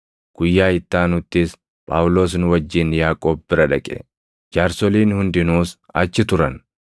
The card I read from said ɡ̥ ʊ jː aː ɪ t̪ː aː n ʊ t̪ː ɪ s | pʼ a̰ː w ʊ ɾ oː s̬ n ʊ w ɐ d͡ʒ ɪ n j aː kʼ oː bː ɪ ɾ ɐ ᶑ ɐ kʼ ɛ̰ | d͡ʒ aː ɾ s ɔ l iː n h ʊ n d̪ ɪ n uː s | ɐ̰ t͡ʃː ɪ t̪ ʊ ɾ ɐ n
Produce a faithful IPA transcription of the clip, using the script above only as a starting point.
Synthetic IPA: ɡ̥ ʊ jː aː ɪ t̪ː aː n ʊ t̪ː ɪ s | pʼ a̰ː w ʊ l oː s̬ n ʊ w ɐ d͡ʒː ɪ n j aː kʼ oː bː ɪ ɾ ɐ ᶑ ɐ kʼ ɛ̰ | d͡ʒ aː ɾ s ɔ l iː n h ʊ n d̪ ɪ n uː s | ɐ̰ t͡ʃː ɪ t̪ ʊ ɾ ɐ n